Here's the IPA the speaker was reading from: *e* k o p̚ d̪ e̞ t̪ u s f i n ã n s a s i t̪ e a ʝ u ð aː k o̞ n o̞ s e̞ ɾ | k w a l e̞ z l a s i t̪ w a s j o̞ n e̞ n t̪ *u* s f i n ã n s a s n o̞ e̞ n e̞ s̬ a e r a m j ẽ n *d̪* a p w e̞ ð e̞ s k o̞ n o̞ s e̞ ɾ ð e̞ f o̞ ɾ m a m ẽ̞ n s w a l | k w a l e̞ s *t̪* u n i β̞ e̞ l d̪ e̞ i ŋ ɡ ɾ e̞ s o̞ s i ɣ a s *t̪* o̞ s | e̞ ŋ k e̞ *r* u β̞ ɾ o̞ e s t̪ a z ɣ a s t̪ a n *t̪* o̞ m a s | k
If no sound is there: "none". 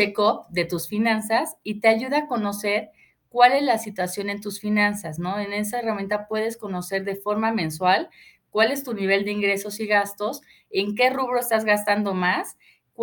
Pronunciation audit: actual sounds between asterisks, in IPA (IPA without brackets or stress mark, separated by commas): e, u, t̪, t̪, t̪, r, d̪